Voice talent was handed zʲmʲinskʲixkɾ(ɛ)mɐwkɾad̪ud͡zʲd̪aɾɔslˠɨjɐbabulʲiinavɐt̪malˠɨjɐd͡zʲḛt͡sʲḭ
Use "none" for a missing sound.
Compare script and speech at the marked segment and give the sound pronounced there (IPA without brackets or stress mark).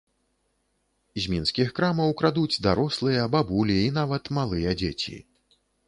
a